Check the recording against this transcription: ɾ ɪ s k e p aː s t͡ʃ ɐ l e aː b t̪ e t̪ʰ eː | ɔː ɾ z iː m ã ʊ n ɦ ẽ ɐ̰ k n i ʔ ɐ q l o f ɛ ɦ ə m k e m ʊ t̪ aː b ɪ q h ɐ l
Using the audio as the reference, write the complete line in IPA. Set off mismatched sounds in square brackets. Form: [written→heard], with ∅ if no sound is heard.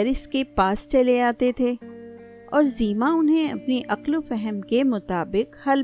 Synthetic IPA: ɾ ɪ s k e p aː s t͡ʃ ɐ l e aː [b→∅] t̪ e t̪ʰ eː | ɔː ɾ z iː m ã ʊ n ɦ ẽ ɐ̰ [k→p] n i ʔ ɐ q l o f ɛ ɦ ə m k e m ʊ t̪ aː b ɪ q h ɐ l